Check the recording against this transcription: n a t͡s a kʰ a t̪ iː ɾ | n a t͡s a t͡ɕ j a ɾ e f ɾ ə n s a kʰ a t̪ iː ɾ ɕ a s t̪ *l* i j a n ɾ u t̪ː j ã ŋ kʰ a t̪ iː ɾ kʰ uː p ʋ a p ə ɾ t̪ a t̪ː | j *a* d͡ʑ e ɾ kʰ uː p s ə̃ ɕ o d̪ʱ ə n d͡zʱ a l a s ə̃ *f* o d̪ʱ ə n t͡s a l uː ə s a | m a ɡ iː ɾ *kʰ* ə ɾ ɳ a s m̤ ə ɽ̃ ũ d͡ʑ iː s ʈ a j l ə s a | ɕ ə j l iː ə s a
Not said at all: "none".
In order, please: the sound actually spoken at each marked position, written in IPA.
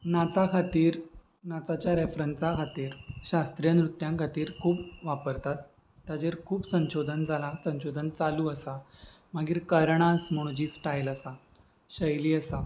ɾ, a, ɕ, k

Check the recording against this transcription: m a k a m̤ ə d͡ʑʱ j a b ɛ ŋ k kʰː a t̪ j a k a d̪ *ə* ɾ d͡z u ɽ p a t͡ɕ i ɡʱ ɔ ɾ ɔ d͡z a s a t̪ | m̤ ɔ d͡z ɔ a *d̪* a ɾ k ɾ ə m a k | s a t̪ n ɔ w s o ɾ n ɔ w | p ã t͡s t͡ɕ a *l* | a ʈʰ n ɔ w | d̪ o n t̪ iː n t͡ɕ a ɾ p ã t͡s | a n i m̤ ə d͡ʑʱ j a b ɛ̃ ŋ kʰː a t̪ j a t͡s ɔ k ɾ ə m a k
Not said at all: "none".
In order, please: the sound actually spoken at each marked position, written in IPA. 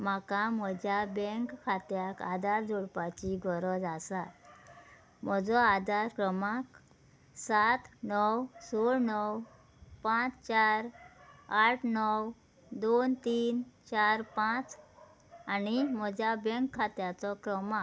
a, d̪, ɾ

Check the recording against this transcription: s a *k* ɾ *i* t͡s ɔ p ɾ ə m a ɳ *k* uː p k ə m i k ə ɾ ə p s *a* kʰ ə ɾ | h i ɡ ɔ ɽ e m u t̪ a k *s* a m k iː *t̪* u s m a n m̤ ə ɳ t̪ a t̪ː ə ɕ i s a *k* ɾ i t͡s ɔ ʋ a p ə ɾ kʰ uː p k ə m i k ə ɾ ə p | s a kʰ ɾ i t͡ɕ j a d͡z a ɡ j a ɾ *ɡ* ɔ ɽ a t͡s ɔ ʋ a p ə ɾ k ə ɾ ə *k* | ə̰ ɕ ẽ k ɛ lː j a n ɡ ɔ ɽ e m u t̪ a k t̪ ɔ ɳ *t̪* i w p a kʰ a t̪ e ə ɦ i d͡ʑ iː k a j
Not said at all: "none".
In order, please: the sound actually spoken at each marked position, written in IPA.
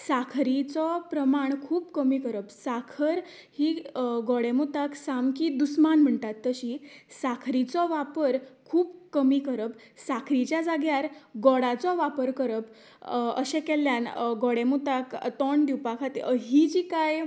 kʰ, i, kʰ, a, s, d̪, kʰ, ɡ, p, d̪

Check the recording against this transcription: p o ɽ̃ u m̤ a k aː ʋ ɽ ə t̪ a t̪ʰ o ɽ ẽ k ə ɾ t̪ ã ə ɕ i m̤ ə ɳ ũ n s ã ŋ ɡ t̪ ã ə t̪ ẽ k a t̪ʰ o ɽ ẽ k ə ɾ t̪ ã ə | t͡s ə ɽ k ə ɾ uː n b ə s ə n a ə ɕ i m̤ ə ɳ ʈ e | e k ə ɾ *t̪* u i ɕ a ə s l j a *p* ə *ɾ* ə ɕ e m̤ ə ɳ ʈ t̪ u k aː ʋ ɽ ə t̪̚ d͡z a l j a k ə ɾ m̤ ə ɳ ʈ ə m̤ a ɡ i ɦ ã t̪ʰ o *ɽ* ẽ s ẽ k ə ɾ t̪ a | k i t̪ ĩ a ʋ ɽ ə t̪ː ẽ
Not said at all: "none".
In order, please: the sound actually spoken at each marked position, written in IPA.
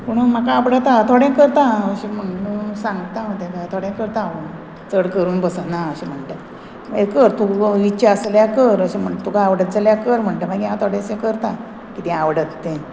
t̪, k, ɾ, ɽ

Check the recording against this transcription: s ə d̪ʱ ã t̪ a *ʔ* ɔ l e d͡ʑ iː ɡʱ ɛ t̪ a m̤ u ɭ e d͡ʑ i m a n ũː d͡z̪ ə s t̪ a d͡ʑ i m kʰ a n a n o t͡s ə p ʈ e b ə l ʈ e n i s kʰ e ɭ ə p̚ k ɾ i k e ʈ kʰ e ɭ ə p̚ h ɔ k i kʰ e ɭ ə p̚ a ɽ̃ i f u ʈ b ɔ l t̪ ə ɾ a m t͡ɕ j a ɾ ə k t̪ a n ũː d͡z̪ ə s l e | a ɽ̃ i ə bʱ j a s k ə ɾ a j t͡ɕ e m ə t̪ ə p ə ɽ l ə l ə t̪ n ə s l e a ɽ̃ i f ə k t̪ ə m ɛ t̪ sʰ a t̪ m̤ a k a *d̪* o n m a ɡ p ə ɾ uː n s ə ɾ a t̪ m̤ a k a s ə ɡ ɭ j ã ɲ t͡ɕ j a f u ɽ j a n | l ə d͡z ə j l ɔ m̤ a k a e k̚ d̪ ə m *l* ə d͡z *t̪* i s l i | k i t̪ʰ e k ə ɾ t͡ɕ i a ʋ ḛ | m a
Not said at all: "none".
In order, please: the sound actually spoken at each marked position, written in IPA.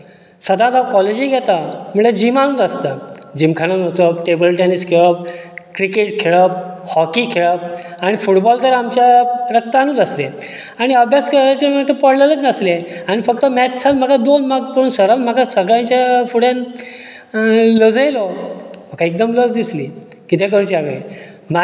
k, d̪, l, d̪

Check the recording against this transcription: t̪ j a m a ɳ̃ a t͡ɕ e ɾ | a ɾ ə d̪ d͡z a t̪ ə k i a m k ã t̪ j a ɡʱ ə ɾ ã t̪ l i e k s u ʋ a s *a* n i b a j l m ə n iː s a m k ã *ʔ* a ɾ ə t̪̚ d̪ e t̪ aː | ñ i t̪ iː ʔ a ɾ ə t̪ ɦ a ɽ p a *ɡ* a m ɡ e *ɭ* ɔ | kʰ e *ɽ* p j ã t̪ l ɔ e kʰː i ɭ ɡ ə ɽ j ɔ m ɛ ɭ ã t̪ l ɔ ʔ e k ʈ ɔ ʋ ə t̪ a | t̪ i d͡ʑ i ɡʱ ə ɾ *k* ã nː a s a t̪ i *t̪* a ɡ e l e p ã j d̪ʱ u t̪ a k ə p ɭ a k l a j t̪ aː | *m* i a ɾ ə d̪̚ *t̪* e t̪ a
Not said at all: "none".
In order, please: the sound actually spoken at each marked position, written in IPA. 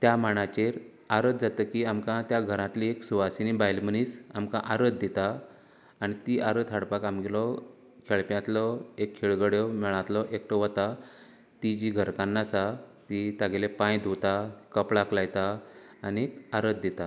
i, ʔ, k, l, ɭ, k, t̪, n, d̪

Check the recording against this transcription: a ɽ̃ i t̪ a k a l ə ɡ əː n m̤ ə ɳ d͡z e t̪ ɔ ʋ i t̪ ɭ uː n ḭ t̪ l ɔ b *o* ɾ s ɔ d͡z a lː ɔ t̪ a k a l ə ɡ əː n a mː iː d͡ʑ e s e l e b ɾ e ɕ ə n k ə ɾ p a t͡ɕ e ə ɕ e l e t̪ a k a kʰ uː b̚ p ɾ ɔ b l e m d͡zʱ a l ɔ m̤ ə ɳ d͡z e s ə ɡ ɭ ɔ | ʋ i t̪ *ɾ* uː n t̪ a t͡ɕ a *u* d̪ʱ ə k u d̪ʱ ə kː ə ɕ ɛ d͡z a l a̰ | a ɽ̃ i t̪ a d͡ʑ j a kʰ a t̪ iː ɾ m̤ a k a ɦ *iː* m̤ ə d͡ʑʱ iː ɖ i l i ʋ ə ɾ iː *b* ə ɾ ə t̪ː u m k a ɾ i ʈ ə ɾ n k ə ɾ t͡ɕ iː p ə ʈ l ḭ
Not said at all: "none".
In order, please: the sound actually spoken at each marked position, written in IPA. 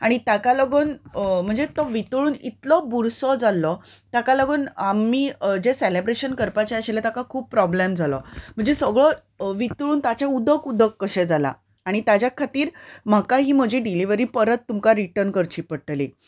u, ɭ, u, iː, p

